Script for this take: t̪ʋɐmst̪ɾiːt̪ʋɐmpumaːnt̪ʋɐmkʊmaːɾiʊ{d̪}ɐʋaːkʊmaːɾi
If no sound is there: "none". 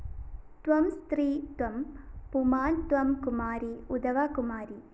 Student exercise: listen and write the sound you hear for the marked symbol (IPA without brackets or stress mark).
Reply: d̪